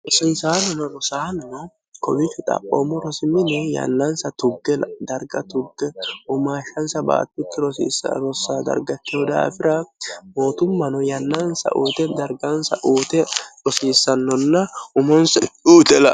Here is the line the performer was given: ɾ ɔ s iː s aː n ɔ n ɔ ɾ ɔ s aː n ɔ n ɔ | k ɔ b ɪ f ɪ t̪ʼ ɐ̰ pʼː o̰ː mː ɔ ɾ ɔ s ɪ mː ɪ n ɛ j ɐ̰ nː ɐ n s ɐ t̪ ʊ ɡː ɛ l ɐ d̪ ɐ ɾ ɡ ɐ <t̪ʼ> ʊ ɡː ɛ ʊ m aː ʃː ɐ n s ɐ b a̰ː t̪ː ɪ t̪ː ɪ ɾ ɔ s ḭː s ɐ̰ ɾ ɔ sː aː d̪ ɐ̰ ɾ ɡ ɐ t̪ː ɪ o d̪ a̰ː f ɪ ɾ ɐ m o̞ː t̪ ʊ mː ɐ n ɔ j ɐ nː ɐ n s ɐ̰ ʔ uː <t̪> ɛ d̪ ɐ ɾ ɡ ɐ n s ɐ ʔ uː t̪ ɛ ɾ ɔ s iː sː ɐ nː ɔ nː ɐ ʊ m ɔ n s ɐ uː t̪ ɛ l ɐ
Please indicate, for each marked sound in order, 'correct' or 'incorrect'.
incorrect: t̪, correct

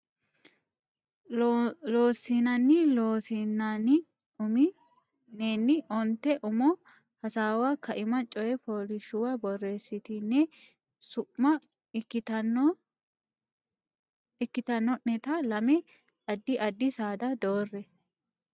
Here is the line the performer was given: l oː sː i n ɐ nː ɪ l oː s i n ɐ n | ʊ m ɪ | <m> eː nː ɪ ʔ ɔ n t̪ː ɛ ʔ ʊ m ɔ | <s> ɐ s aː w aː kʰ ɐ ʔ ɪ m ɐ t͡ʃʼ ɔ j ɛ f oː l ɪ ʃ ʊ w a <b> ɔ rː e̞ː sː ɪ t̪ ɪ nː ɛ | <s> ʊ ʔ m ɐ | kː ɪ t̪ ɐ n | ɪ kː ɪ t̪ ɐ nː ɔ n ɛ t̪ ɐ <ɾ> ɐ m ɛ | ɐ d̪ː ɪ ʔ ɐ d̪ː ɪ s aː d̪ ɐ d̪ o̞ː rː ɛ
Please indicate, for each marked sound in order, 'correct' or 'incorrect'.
incorrect: n, incorrect: h, correct, correct, incorrect: l

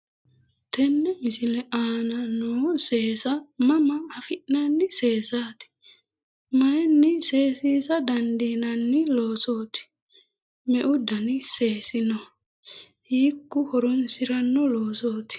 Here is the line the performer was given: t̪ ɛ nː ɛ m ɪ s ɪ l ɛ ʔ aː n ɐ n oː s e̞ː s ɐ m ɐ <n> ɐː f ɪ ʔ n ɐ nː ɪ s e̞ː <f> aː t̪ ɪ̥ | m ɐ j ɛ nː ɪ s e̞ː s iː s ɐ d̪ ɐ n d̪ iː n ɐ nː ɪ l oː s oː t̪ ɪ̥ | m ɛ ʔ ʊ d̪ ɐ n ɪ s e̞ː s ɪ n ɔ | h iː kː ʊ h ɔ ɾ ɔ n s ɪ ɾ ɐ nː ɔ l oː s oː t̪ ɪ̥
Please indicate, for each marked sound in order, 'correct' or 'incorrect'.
incorrect: m, incorrect: s

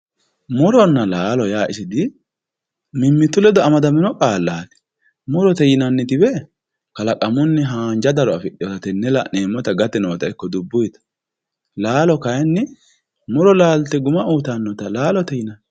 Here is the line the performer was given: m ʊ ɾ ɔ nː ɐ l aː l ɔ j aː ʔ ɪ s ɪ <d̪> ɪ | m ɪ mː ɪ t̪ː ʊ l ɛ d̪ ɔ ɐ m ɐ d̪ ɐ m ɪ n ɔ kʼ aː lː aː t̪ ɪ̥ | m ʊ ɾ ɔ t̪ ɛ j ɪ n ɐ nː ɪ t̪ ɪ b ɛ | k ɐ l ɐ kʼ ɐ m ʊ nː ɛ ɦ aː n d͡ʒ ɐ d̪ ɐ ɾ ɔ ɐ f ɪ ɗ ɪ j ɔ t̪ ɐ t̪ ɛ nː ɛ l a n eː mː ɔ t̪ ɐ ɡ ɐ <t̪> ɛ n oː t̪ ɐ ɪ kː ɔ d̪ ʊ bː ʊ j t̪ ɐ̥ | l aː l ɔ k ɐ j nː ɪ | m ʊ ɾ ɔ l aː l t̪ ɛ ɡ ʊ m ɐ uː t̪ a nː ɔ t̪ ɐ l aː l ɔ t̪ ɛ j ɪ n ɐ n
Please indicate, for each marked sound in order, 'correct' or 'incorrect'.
correct, correct

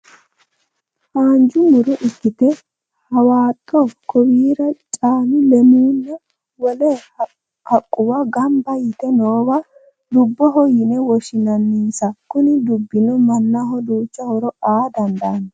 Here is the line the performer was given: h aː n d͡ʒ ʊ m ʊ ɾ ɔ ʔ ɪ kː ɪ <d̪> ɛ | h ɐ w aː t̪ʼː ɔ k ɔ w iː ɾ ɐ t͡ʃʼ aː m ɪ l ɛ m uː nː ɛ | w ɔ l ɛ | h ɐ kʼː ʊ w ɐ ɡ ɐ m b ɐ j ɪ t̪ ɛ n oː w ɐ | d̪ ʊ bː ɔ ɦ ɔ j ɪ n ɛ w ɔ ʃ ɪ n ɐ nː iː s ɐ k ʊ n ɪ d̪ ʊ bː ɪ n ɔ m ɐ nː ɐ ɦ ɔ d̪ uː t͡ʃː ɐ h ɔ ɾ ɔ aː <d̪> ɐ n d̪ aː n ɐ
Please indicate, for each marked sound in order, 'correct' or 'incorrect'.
incorrect: t̪, correct

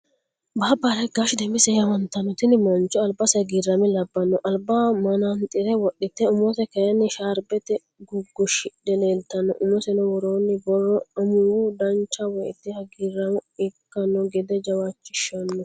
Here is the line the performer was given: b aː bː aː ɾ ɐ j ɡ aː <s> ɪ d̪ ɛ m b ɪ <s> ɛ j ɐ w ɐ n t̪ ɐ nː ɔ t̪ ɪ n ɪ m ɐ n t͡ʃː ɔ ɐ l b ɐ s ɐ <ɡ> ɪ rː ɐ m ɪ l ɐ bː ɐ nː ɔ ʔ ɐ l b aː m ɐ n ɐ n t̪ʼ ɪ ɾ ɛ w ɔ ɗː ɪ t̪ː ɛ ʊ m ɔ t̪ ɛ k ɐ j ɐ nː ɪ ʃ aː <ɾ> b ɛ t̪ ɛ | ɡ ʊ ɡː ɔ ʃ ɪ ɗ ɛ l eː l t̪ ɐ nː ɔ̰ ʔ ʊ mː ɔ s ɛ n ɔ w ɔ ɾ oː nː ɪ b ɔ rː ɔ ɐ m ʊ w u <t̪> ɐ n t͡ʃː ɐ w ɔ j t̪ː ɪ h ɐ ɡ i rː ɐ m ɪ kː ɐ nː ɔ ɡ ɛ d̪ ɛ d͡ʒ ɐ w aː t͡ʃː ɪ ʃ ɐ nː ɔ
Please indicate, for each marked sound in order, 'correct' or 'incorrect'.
incorrect: ʃ, correct, correct, correct, incorrect: d̪

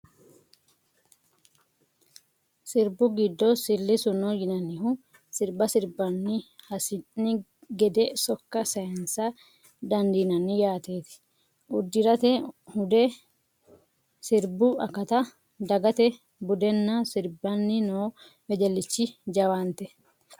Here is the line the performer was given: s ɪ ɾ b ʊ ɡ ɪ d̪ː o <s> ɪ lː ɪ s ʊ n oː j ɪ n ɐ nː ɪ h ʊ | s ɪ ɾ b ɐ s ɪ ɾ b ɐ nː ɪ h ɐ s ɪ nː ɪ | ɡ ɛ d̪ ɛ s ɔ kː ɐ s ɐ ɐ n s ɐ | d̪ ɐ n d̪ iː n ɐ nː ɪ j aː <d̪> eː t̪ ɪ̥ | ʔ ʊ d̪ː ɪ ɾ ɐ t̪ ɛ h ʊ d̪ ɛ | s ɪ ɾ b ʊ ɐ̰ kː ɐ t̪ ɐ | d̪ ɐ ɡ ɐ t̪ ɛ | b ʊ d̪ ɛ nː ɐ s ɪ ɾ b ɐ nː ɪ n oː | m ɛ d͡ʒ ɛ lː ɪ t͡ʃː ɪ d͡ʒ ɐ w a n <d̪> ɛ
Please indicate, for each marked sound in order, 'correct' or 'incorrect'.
correct, incorrect: t̪, incorrect: t̪

